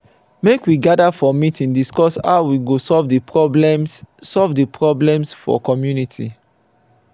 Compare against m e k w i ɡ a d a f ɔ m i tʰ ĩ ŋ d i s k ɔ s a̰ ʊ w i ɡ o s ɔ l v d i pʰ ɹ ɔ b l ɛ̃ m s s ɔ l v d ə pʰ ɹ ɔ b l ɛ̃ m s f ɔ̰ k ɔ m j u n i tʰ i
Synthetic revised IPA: m e k w i ɡ a d a f ɔ m i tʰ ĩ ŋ d i s k ɔ s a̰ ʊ w i ɡ o s ɔ l v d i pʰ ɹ ɔ b l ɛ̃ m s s ɔ l v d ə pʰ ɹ ɔ b l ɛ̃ m s f ɔ̰ k ɔ m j u n i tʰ i